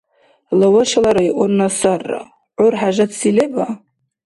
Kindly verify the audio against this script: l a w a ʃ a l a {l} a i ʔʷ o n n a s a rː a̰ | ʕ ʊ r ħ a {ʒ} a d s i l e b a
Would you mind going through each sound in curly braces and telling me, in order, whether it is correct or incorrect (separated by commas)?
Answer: incorrect, correct